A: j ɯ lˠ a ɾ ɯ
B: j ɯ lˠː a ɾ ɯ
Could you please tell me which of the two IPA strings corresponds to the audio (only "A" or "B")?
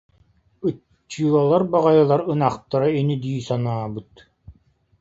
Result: A